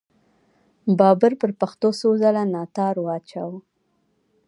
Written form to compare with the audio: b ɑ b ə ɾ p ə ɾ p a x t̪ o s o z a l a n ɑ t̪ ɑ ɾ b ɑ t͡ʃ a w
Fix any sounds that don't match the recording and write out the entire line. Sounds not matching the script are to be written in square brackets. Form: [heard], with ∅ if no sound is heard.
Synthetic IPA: b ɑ b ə ɾ p ə ɾ p a x t̪ o s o z a l a n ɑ t̪ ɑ ɾ [w] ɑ t͡ʃ a w